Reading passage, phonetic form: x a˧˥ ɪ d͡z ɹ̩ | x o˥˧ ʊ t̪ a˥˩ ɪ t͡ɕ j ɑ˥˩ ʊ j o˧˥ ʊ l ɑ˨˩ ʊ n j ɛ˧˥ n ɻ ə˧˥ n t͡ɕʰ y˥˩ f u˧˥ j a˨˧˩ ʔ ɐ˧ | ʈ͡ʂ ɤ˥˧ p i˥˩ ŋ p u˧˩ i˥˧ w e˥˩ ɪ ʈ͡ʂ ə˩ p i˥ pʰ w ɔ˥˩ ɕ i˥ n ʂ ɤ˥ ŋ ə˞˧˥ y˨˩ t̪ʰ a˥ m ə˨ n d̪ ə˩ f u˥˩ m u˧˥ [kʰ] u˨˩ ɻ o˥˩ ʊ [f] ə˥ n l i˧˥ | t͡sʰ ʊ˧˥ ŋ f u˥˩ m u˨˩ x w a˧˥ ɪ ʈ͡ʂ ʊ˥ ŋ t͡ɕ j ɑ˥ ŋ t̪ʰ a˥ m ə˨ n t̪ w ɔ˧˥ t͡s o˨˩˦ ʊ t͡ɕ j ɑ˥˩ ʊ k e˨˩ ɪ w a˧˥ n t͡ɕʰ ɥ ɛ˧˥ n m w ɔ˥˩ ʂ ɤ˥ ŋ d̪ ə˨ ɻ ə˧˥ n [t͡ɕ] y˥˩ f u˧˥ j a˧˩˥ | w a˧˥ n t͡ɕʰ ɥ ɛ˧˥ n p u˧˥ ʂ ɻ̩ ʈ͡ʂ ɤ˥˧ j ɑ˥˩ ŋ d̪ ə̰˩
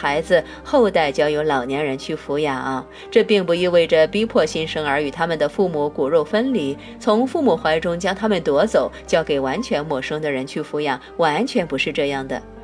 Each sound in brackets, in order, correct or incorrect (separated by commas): incorrect, correct, incorrect